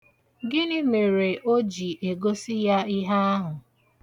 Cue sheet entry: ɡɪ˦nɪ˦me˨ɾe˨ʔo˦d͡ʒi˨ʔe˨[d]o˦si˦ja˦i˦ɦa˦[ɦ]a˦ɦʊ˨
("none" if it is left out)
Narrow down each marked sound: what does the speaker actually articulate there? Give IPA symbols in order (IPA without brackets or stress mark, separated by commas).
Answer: ɡ, none